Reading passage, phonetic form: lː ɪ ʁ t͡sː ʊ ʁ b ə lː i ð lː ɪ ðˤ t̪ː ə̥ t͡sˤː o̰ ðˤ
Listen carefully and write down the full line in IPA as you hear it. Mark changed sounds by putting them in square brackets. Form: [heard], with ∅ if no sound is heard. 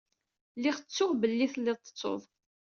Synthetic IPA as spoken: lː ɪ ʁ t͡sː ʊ ʁ b ə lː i [θ] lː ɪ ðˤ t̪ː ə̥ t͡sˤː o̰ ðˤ